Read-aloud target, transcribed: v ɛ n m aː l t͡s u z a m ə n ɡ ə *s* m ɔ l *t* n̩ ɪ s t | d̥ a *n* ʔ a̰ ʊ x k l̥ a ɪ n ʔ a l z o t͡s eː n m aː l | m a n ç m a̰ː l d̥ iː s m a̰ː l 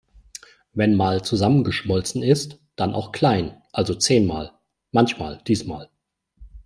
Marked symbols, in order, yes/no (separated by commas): no, no, yes